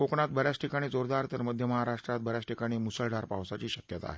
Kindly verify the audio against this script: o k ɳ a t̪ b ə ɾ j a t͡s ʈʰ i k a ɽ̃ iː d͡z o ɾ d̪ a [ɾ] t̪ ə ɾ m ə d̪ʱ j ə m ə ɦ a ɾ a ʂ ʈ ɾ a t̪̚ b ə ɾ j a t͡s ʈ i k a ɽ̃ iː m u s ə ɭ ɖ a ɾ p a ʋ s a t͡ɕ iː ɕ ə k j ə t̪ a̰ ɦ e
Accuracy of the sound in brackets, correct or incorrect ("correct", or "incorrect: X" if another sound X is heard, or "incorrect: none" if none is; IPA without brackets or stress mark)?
correct